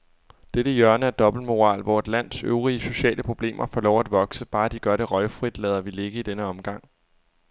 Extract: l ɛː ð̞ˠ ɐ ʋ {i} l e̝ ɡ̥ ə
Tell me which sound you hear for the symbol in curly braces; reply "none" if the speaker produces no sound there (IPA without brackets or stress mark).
i